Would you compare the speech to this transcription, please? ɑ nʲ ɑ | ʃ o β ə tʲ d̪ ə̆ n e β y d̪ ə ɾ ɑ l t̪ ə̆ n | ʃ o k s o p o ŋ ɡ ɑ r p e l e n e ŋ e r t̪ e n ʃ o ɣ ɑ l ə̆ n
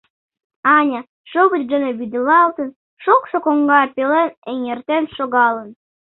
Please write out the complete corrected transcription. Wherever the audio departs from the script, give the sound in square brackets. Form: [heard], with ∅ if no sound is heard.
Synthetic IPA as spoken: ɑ nʲ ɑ | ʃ o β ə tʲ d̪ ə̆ n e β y d̪ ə [l] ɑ l t̪ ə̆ n | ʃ o k s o [k] o ŋ ɡ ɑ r p e l e n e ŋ e r t̪ e n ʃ o ɣ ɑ l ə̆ n